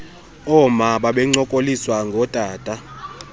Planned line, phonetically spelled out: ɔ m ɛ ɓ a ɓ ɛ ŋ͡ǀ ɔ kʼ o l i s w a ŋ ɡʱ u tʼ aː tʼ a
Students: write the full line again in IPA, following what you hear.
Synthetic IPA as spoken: ɔ m a ɓ a ɓ ɛ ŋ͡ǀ ɔ kʼ o l i s w a ŋ ɡʱ ɔ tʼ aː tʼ a

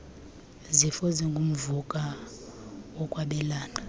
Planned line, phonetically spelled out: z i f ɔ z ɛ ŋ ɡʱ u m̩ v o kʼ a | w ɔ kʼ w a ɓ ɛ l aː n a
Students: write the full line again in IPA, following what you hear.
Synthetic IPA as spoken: z i f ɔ z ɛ ŋ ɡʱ u m̩ v u kʼ a | w ɔ kʼ w a ɓ ɛ l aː n a

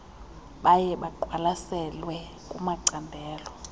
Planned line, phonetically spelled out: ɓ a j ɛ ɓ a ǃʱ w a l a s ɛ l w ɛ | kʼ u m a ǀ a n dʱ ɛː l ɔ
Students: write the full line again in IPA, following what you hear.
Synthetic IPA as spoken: ɓ a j ɛ ɓ a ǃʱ w a l a s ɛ l w ɛ | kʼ u m a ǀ a n dʱ ɛː l ɔ

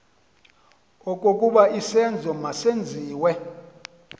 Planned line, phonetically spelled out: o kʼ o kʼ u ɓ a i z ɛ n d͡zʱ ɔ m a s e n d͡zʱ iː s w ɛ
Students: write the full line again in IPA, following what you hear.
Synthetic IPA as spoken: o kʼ o kʼ u ɓ a i s ɛ n d͡zʱ ɔ m a s e n d͡zʱ iː w ɛ

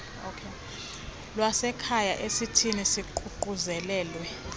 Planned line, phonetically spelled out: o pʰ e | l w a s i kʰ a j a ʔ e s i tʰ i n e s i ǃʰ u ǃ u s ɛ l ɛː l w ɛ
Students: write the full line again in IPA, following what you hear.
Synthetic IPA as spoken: o kʰ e | l w a s ɛ kʰ a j a ʔ e s i tʰ i n i s i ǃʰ u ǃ u z ɛ l ɛː l w ɛ

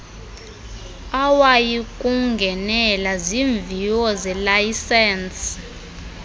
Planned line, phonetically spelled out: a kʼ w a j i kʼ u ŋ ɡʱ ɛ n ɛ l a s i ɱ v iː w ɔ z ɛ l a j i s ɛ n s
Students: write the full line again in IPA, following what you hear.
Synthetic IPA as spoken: a w a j i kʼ u ŋ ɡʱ ɛ n ɛ l a z i ɱ v i w ɔ z ɛ l a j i s ɛ n s

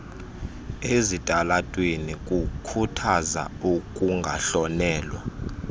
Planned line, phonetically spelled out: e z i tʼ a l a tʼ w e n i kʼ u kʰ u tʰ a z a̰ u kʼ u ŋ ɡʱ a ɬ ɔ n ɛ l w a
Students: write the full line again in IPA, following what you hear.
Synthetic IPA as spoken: e z i tʼ a l a tʼ w e n i kʼ u kʰ u tʰ a z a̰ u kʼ u ŋ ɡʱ a ɬ ɔ n ɛː l w a

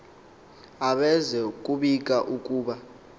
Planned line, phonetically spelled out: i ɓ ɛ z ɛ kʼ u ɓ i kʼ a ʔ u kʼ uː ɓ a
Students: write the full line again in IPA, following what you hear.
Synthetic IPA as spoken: a ɓ ɛ z ɛ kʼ u ɓ i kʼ a ʔ u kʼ uː ɓ a

